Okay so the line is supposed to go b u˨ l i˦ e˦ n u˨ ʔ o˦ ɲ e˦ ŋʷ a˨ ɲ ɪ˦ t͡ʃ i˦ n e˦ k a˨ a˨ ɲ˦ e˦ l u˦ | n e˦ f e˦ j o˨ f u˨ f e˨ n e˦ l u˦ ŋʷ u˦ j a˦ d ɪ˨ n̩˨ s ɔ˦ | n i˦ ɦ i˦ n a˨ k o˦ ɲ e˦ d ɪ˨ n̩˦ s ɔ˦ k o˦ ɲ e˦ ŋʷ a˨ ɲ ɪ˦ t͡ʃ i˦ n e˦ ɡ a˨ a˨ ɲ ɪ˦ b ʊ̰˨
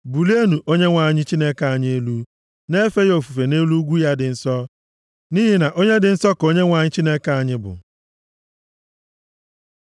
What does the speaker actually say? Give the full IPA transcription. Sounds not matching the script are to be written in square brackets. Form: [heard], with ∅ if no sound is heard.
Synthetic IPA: b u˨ l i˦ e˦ n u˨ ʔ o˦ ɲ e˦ ŋʷ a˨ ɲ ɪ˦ t͡ʃ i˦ n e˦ k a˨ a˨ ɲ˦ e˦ l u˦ | n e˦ f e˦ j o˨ f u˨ f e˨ n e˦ l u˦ [ɡʷ] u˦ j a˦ d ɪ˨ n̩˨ s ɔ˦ | n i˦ ɦ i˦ n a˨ [ʔ] o˦ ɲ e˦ d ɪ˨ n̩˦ s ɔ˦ k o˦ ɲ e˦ ŋʷ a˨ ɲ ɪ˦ t͡ʃ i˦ n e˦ [k] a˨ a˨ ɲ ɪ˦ b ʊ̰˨

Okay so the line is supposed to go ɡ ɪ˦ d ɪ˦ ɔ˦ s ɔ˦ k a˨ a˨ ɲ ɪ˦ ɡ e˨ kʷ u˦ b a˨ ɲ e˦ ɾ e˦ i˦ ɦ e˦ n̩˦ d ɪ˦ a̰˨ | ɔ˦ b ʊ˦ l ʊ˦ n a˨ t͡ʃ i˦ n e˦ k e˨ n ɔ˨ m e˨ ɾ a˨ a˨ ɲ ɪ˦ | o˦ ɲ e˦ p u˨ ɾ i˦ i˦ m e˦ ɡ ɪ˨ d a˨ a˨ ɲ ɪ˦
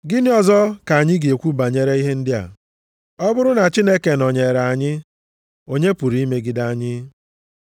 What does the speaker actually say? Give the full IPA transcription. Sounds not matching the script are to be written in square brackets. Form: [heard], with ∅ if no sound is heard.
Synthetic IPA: ɡ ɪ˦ [n] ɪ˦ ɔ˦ [z] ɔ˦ k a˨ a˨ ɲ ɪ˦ ɡ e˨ kʷ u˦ b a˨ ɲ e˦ ɾ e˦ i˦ ɦ e˦ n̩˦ d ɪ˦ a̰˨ | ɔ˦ b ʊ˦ [ɾ] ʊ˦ n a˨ t͡ʃ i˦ n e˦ k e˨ n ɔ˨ [ɲ] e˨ ɾ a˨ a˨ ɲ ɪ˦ | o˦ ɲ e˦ p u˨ ɾ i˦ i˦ m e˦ ɡ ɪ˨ d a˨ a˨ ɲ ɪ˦

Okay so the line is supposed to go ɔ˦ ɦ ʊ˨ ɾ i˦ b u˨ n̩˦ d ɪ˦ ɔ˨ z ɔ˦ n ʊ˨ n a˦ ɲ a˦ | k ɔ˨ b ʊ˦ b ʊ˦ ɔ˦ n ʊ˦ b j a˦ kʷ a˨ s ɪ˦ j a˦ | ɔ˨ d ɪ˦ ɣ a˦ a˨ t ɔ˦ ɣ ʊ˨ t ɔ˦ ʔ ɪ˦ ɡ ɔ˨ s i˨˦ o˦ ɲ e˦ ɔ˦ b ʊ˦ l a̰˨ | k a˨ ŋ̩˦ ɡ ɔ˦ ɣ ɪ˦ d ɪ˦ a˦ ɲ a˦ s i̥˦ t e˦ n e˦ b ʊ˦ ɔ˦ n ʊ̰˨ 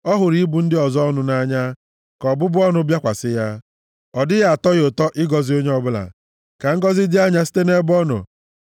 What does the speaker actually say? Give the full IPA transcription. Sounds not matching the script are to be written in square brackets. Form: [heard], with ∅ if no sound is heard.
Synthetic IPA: ɔ˦ ɦ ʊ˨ ɾ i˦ b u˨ n̩˦ d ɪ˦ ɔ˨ z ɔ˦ n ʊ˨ n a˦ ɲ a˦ | k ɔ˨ b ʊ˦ b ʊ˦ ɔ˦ n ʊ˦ b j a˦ kʷ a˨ s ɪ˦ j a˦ | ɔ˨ d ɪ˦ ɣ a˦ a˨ t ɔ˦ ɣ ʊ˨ t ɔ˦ ʔ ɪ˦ ɡ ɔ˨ [z] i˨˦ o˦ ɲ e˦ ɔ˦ b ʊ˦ l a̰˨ | k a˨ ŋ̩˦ ɡ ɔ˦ [z] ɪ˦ d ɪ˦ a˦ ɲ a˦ s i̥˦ t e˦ n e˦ b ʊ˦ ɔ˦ n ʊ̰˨

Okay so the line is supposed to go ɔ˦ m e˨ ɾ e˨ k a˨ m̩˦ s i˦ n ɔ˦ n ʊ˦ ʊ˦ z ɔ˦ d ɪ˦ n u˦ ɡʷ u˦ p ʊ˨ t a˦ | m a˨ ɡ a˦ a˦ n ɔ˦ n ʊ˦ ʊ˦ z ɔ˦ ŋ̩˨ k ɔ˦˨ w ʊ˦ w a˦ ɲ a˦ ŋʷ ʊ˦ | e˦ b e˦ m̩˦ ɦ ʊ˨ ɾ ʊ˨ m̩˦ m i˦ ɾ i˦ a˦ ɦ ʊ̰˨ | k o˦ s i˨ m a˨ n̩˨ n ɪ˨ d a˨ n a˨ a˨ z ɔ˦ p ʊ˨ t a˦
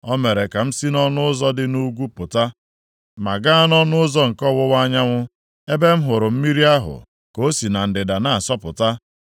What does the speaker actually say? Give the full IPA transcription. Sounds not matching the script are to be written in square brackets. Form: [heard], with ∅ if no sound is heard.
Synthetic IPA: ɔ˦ m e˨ ɾ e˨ k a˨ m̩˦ s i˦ n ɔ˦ n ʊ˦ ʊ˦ z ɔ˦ d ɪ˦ n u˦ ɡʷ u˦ p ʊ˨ t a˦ | m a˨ ɡ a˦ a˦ n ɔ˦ n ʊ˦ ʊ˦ z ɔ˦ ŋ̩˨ k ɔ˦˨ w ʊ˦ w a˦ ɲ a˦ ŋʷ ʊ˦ | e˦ b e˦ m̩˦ ɦ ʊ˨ ɾ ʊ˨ m̩˦ m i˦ ɾ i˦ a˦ ɦ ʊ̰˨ | k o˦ s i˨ [n] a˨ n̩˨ [d] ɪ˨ d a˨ n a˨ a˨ [s] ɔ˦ p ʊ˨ t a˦

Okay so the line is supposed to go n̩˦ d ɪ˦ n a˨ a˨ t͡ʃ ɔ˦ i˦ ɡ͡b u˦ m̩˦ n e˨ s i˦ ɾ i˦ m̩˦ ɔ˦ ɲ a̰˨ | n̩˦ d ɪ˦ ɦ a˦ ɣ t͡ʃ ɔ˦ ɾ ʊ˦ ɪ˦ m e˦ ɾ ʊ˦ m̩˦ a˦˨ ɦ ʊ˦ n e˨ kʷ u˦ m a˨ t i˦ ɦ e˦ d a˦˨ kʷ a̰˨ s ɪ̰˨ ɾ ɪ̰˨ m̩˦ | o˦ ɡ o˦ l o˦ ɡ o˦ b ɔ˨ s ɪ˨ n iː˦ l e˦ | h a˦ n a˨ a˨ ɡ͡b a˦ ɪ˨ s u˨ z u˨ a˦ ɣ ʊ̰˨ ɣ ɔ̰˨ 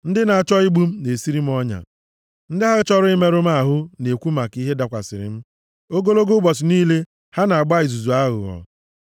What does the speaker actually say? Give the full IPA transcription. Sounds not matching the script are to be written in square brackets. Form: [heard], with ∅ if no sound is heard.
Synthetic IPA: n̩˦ d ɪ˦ n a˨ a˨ t͡ʃ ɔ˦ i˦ ɡ͡b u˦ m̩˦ n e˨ s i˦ ɾ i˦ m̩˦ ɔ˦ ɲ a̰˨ | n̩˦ d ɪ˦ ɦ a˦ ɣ t͡ʃ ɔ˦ ɾ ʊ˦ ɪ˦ m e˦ ɾ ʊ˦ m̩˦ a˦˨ ɦ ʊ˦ n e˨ kʷ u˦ m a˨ [k] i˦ ɦ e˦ d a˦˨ kʷ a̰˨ s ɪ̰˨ ɾ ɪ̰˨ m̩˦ | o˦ ɡ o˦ l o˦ ɡ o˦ b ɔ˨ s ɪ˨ n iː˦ l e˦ | h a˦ n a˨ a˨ ɡ͡b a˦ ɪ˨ [z] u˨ z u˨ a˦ ɣ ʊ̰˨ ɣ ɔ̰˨

